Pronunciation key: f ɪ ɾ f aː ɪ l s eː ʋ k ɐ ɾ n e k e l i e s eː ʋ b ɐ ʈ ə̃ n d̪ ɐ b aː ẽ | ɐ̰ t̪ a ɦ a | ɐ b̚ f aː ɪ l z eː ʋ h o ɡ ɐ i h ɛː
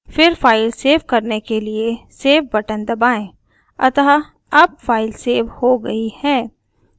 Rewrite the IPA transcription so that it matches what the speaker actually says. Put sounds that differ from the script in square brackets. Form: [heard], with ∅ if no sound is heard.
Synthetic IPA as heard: f ɪ ɾ f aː ɪ l s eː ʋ k ɐ ɾ n e k e l i e s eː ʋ b ɐ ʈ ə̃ n d̪ ɐ b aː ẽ | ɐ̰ t̪ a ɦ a | ɐ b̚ f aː ɪ l [s] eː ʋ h o ɡ ɐ i h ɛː